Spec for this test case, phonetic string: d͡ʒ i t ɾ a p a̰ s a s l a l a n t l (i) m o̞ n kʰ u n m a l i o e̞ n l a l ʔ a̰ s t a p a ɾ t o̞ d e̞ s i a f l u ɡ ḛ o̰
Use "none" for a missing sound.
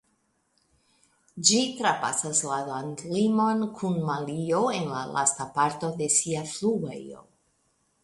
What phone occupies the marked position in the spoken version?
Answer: i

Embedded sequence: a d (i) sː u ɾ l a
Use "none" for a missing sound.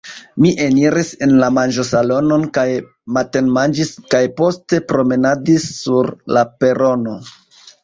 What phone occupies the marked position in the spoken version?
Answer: i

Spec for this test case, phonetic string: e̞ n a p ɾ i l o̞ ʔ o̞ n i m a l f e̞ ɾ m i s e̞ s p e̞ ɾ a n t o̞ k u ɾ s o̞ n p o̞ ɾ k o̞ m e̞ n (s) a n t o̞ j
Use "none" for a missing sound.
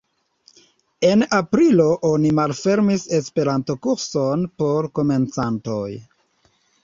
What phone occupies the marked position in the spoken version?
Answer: t͡s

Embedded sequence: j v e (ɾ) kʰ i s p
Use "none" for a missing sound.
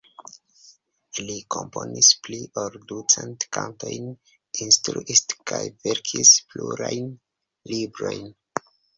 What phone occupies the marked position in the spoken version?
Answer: ɾ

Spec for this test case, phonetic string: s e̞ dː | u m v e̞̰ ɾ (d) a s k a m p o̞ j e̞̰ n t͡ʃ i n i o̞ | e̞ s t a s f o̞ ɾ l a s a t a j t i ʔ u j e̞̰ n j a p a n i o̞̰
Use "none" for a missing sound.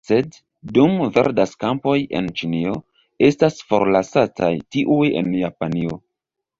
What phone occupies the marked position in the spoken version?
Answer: d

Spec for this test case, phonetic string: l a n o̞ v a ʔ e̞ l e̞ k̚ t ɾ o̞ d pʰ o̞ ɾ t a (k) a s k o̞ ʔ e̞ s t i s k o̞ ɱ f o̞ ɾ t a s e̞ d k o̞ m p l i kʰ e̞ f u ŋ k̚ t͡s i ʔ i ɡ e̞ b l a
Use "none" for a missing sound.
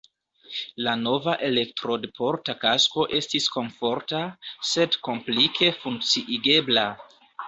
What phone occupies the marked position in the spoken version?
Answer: k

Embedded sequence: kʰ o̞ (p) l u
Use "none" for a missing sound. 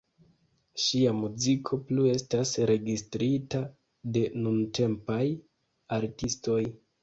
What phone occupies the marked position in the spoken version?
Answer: p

